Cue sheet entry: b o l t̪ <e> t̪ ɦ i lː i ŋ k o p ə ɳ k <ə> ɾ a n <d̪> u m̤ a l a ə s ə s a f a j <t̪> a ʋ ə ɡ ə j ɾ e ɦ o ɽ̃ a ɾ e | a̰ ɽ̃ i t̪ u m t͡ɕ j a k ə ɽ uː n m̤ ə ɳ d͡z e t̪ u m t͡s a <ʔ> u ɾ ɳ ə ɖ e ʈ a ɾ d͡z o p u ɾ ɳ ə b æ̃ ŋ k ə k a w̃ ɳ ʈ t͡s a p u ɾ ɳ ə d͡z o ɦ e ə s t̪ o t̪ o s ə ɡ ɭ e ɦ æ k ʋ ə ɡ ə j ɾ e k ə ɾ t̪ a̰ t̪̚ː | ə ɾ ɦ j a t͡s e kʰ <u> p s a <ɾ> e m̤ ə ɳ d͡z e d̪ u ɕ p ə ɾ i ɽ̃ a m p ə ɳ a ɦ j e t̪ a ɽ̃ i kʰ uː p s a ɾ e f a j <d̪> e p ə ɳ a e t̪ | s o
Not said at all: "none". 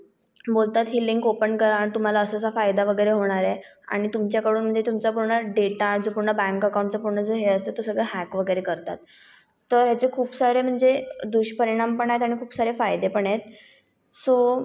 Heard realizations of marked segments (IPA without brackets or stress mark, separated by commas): a, ə, t̪, d̪, p, uː, ɾ, d̪